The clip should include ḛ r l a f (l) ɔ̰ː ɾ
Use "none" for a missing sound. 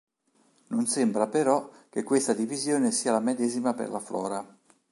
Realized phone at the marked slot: l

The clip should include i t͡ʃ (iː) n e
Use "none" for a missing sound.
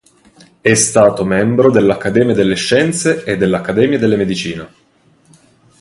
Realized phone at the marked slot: iː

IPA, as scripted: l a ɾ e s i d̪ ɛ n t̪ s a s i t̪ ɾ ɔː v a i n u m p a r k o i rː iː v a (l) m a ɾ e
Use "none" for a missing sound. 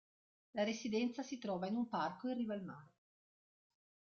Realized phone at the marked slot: l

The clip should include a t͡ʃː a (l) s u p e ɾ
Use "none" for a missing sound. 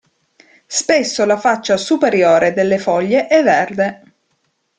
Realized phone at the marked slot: none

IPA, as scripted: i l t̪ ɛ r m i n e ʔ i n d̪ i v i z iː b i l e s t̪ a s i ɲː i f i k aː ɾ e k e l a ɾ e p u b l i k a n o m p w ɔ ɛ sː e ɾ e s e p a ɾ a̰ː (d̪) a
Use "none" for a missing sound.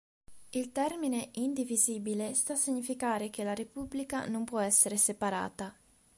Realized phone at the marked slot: t̪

